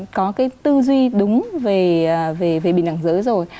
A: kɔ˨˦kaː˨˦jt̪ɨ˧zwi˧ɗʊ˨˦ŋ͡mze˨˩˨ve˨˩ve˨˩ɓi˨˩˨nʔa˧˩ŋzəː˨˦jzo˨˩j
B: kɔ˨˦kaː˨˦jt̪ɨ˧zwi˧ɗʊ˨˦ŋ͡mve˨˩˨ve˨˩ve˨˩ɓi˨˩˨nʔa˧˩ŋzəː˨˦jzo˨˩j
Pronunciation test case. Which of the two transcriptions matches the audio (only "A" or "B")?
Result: B